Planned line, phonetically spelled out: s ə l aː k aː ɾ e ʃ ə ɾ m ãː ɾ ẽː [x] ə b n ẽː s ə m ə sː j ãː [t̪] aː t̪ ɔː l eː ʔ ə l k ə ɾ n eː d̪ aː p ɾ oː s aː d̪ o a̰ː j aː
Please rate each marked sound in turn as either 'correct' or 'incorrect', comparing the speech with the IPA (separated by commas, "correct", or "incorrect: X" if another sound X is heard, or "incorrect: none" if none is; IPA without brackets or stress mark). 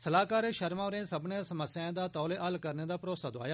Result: incorrect: s, incorrect: d̪